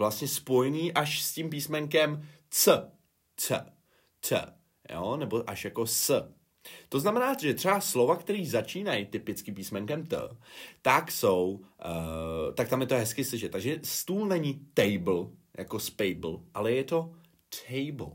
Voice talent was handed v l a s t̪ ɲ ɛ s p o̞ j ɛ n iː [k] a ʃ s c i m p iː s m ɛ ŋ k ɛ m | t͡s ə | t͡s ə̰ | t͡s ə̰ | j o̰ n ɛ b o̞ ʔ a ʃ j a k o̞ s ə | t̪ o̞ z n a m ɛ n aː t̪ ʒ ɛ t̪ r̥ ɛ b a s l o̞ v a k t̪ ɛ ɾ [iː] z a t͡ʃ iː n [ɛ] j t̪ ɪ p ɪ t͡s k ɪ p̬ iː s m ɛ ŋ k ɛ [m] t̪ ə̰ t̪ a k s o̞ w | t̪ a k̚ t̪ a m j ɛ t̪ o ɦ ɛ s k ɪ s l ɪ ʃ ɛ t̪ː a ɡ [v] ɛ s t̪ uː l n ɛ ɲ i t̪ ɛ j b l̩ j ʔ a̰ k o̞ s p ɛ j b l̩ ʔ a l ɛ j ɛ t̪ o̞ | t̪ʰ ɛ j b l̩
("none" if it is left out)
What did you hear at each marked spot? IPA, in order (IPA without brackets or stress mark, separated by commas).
ʔ, iː, a, m, ʒ